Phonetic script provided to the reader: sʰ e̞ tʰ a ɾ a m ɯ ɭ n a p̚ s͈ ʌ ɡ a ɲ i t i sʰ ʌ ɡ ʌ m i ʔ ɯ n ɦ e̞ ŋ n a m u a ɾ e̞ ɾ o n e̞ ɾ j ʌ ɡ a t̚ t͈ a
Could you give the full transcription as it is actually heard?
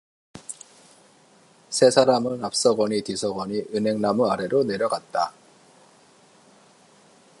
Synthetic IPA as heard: sʰ e̞ sʰ a ɾ a m ɯ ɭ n a p̚ s͈ ʌ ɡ ʌ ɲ i t i sʰ ʌ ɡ ʌ ɲ i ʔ ɯ n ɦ e̞ ŋ n a m u a ɾ e̞ ɾ o n e̞ ɾ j ʌ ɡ a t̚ t͈ a